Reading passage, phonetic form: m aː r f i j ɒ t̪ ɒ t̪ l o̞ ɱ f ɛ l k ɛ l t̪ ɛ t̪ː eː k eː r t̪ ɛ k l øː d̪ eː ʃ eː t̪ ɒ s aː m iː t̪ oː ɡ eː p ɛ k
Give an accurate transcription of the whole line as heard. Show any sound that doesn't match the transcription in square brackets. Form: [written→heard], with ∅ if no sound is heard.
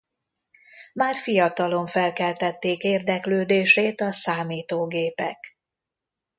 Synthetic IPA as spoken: m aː r f i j ɒ t̪ ɒ [t̪→∅] l o̞ ɱ f ɛ l k ɛ l t̪ ɛ t̪ː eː k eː r [t̪→d̪] ɛ k l øː d̪ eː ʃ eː t̪ ɒ s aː m iː t̪ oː ɡ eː p ɛ k